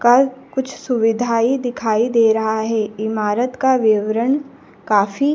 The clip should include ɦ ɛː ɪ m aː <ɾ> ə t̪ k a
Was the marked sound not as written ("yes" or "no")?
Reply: no